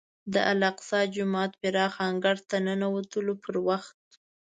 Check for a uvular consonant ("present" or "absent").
present